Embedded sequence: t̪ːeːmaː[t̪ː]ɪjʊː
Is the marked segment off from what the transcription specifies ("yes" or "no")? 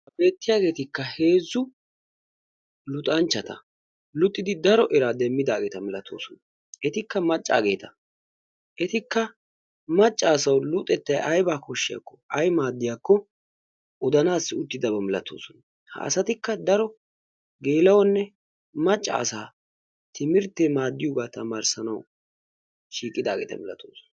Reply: yes